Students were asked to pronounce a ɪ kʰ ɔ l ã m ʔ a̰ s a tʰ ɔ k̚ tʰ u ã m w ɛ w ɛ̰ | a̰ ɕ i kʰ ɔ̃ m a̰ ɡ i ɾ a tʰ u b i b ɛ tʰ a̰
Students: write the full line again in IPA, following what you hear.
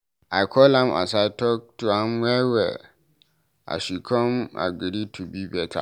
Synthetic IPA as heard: a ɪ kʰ ɔ l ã m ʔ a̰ s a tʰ ɔ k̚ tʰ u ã m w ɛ w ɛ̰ | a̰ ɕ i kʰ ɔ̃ m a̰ ɡ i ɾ i tʰ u b i b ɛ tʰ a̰